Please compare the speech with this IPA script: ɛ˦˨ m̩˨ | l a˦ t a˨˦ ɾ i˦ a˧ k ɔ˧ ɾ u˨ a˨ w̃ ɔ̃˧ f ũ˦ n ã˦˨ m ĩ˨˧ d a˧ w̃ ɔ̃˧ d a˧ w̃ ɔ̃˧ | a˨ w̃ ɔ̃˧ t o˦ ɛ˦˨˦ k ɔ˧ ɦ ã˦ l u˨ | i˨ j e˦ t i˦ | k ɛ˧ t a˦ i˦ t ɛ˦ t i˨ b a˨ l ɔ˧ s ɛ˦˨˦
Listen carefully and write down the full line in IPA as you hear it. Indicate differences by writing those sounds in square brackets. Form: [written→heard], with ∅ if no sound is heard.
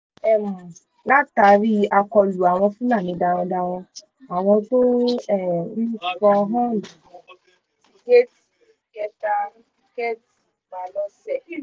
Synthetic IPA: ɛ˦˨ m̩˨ | l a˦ t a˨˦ ɾ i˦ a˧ k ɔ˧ [ɾ→l] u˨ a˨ w̃ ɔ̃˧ f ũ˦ n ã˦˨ m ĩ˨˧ d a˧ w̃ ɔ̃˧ d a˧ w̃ ɔ̃˧ | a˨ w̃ ɔ̃˧ t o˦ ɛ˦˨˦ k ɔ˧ ɦ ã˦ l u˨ | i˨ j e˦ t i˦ | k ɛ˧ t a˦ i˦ [t→k] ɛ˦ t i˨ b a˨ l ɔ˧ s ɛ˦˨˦